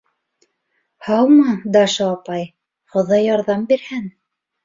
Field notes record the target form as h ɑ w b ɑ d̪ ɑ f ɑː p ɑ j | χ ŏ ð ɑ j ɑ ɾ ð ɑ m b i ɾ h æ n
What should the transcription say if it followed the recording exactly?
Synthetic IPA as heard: h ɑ w m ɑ d̪ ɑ ʃ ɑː p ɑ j | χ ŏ ð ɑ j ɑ ɾ ð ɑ m b i ɾ h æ n